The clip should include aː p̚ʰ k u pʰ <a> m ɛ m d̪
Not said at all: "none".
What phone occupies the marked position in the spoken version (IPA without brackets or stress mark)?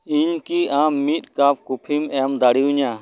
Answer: i